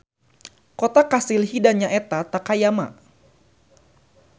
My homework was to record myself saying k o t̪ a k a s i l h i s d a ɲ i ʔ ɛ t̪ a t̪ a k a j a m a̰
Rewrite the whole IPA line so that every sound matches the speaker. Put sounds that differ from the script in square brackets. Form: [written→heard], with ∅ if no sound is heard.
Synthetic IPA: k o t̪ a k a s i l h i [s→∅] d a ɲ [i→a] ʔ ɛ t̪ a t̪ a k a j a m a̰